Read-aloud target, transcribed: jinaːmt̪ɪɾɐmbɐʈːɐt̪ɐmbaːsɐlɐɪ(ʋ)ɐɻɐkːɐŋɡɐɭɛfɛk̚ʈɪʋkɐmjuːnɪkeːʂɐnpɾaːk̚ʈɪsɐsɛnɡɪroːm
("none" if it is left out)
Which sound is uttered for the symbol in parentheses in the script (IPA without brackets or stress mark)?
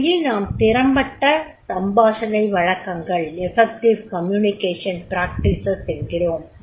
ʋ